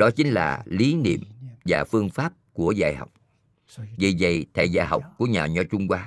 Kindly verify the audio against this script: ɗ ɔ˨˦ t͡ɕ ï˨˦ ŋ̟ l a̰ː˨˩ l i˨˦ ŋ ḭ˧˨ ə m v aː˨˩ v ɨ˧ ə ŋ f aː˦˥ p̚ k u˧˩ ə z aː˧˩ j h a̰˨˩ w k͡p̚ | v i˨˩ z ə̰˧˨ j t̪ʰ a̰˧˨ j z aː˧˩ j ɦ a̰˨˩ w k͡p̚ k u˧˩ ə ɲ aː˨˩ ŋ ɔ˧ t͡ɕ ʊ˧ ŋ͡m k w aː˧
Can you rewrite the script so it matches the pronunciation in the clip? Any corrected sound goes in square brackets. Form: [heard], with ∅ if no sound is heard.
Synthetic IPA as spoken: ɗ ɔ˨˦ t͡ɕ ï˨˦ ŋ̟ l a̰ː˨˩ l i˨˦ [n] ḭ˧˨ ə m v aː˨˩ [f] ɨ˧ ə ŋ f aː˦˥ p̚ k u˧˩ ə z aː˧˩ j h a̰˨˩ w k͡p̚ | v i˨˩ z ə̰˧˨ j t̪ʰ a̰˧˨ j z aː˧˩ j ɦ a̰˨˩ w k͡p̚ k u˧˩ ə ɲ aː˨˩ [ɲ] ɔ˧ t͡ɕ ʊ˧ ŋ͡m k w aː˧